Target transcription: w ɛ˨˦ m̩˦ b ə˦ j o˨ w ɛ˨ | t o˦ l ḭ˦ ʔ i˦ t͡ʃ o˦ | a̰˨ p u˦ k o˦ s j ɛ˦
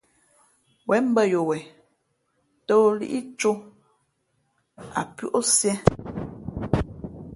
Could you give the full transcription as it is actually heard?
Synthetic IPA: w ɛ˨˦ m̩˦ b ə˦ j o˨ w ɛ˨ | t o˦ l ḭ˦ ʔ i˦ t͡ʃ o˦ | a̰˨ p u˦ ʔ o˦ s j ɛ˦